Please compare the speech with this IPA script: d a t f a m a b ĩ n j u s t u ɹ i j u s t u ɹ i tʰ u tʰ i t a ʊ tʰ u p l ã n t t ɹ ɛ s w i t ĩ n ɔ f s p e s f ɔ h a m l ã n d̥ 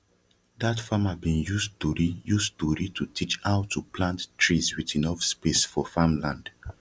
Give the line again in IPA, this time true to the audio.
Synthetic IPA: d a t f a m a b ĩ n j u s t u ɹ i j u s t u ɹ i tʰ u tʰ i t͡ʃ a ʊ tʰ u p l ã n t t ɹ i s w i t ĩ n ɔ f s p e s f ɔ f a m l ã n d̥